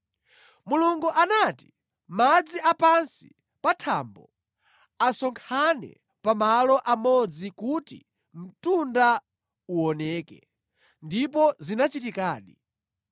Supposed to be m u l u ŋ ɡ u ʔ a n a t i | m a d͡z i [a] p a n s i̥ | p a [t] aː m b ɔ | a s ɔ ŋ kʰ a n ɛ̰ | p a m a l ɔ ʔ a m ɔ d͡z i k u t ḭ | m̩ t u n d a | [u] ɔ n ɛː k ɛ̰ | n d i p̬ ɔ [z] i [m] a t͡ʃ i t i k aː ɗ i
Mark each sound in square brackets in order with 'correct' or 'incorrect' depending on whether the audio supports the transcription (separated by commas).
correct, incorrect, correct, correct, incorrect